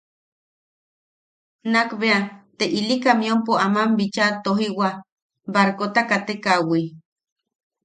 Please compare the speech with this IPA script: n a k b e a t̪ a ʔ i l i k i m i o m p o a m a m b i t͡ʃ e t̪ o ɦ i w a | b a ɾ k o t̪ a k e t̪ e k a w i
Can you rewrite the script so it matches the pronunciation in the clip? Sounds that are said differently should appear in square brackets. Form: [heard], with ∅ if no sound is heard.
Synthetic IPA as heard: n a k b e a t̪ [e] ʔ i l i k [a] m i o m p o a m a m b i t͡ʃ [a] t̪ o ɦ i w a | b a ɾ k o t̪ a k [a] t̪ e k a w i

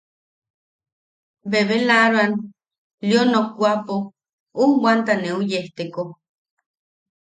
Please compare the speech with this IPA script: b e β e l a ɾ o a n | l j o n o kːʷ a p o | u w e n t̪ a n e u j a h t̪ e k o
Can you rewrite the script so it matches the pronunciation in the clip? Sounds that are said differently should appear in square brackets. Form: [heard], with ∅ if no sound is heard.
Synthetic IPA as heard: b e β e l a ɾ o a n | l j o n o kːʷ a p o | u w [a] n t̪ a n e u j [e] h t̪ e k o

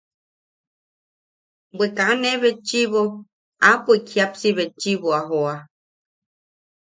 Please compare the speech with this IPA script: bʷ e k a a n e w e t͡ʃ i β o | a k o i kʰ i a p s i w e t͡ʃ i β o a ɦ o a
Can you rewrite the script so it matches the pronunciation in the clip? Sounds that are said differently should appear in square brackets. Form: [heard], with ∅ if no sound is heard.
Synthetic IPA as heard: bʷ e k a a n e [β] e t͡ʃ i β o | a [p] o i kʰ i a p s i [β] e t͡ʃ i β o a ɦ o a

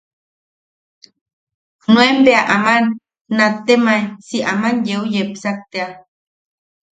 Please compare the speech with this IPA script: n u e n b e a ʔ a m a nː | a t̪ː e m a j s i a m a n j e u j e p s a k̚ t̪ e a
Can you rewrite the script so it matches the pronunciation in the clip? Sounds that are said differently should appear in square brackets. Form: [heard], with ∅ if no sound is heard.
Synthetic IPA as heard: n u e [m] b e a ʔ a m a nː | a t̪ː e m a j s i a m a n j e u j e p s a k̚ t̪ e a

